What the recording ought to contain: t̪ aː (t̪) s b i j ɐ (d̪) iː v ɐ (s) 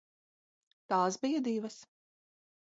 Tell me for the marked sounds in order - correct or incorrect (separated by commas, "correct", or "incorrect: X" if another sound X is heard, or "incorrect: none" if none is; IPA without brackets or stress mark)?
incorrect: none, correct, correct